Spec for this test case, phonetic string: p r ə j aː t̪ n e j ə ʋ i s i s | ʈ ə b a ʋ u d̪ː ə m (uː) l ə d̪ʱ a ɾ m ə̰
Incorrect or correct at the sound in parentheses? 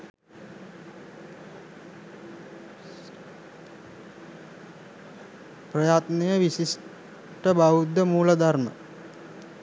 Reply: correct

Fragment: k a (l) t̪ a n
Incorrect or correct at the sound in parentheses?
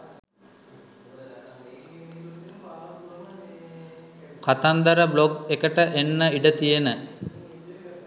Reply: incorrect: none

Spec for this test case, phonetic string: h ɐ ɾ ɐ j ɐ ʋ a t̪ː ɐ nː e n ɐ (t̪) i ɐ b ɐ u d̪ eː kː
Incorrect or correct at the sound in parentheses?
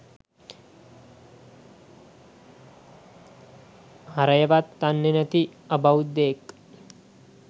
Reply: correct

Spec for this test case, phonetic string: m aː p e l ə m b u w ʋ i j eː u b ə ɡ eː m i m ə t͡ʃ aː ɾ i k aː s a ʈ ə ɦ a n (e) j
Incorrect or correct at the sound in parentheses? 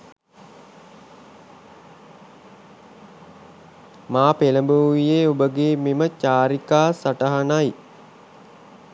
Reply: incorrect: a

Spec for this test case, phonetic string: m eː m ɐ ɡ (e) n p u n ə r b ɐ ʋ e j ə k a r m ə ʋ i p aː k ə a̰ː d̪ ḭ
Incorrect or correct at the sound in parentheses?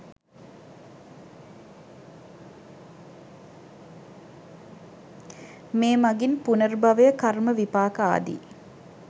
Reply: incorrect: i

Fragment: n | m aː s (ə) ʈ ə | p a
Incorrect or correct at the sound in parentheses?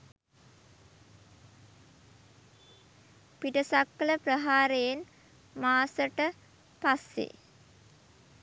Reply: correct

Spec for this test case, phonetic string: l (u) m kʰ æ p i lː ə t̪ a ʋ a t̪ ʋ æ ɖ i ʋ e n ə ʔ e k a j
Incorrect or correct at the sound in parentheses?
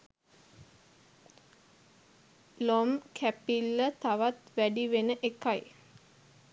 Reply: incorrect: o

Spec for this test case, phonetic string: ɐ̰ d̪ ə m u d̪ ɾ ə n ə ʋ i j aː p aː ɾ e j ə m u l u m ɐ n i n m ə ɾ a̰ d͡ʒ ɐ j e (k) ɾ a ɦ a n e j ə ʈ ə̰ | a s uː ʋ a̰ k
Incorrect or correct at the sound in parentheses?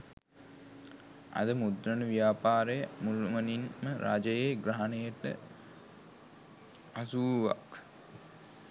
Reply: incorrect: ɡ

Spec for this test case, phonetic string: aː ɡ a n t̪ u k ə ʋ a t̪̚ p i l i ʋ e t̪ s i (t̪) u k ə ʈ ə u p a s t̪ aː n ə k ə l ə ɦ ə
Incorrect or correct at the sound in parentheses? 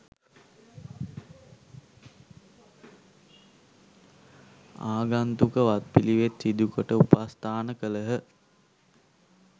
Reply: incorrect: d̪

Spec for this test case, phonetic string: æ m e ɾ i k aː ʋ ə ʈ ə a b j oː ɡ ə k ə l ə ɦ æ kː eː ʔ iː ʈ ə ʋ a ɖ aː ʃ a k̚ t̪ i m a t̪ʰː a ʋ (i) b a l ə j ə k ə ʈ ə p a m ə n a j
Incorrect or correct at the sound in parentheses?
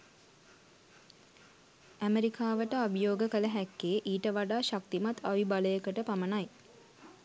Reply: correct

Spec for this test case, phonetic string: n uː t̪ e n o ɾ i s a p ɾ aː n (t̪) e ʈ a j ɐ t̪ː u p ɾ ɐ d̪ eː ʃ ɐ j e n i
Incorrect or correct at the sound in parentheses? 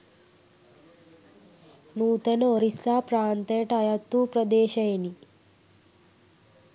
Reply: correct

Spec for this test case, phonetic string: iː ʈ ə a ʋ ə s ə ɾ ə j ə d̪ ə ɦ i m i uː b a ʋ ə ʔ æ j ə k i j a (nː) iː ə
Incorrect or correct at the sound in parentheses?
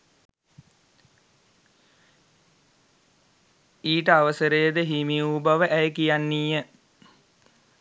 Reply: correct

